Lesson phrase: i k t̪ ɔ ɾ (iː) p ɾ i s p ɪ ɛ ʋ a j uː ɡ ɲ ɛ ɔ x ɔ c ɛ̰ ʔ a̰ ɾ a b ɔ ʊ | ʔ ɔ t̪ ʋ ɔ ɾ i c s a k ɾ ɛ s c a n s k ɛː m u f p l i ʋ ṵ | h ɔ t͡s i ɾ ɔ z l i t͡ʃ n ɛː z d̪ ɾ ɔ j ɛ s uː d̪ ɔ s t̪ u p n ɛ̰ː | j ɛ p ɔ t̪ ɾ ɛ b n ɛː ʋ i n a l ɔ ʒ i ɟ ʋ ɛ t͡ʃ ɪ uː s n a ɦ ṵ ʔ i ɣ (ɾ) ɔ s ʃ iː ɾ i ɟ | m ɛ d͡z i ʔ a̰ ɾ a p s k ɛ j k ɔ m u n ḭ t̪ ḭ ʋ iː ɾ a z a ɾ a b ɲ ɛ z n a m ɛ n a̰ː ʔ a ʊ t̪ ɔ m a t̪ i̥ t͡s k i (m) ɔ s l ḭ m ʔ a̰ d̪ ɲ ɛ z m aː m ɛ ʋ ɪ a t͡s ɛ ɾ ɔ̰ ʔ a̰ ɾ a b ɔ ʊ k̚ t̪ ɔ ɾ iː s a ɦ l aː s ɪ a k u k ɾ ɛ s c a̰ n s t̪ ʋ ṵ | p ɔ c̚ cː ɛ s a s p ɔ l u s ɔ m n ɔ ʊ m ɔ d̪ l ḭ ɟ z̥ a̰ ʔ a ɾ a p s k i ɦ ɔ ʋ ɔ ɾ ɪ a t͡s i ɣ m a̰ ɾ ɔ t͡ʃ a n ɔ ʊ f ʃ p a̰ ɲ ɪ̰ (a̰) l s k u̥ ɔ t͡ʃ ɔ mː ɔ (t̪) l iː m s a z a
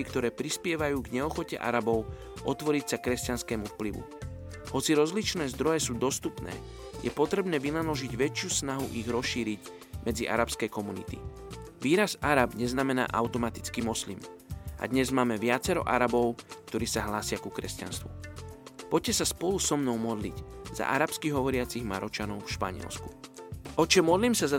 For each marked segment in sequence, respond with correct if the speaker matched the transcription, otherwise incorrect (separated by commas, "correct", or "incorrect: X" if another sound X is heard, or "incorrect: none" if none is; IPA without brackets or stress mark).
incorrect: ɛː, correct, correct, incorrect: ɛ̰, incorrect: d̪